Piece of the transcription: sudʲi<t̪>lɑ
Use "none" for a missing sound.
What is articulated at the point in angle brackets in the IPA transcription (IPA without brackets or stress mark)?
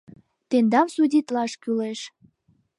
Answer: t̪